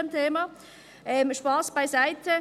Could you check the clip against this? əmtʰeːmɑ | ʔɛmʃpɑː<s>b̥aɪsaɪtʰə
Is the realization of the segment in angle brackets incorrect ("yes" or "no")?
no